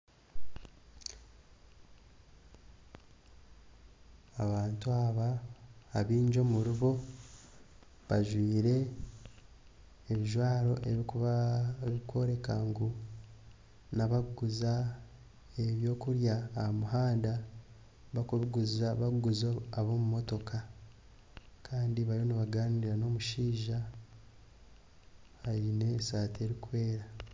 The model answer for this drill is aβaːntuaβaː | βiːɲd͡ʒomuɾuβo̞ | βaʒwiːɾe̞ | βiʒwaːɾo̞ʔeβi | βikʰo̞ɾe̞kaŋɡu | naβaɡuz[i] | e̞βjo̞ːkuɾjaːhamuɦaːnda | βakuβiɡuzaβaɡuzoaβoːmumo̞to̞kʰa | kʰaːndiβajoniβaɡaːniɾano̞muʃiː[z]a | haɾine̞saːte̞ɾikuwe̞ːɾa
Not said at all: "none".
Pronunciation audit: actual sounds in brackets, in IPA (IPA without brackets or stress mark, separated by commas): a, ʒ